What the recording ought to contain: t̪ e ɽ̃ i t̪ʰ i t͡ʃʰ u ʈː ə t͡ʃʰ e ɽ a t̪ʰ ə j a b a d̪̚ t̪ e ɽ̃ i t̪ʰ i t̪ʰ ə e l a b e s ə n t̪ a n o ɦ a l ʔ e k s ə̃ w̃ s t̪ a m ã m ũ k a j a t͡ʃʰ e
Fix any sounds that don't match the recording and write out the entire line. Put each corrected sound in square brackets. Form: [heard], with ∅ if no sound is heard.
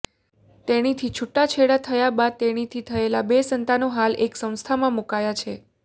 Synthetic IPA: t̪ e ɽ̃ i t̪ʰ i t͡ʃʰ u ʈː [a] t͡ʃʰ e ɽ a t̪ʰ ə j a b a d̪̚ t̪ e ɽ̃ i t̪ʰ i t̪ʰ ə e l a b e s ə n t̪ a n o ɦ a l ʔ e k s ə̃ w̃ s [t̪ʰ] a m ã m [u] k a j a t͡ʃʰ e